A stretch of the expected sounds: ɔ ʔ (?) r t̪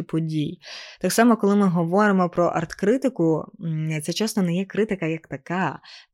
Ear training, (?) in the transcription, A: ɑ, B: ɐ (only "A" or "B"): B